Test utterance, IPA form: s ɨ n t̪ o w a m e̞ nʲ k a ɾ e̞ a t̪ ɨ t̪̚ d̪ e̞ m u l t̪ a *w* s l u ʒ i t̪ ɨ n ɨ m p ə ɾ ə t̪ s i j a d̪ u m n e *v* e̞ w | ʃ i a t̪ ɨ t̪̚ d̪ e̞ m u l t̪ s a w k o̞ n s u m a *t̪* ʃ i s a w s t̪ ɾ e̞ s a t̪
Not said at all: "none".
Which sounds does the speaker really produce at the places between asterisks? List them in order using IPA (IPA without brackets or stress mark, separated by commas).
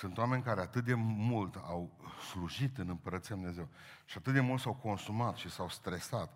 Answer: w, z, t̪